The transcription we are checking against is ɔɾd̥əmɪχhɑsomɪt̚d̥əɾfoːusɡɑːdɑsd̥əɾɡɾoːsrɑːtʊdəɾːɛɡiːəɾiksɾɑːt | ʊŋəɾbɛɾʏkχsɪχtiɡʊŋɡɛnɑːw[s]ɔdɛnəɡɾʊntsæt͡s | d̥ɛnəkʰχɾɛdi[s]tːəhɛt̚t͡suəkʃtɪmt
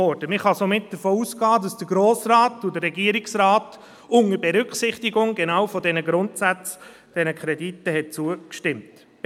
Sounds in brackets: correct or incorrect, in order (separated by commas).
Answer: incorrect, incorrect